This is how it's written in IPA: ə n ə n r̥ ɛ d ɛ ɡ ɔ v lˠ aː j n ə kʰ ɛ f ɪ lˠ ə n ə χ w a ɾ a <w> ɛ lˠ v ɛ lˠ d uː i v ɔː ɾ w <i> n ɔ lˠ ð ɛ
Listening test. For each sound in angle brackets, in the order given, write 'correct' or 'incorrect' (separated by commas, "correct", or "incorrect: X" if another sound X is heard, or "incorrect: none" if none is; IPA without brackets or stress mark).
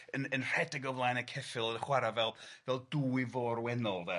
incorrect: v, incorrect: ɛ